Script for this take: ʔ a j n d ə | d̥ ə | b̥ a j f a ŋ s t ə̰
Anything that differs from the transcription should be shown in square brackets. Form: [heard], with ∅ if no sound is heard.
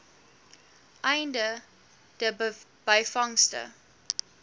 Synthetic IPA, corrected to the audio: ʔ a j n d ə | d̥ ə | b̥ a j f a ŋ s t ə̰